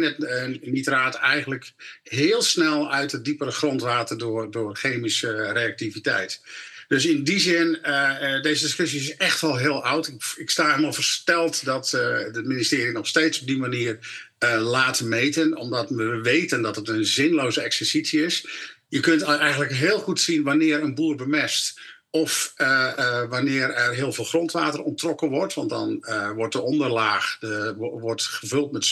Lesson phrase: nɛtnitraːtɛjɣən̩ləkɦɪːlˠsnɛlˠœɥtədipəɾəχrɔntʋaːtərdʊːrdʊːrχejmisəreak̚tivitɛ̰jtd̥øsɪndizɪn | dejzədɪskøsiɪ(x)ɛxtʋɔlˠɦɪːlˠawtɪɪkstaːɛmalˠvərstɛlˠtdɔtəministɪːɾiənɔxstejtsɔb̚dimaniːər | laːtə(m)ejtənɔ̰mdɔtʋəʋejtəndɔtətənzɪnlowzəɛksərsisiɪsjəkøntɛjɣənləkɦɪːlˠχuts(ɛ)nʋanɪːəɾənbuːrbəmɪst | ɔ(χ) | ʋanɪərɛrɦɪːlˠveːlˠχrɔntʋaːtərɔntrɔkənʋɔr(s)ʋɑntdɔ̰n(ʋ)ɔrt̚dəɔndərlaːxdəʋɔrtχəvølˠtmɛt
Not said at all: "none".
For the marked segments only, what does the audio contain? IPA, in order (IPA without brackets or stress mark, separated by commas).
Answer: s, m, i, f, t, ʋ